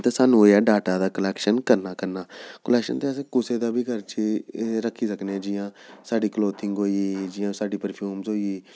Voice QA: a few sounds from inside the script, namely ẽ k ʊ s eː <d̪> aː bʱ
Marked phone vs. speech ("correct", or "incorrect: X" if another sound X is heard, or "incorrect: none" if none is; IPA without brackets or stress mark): correct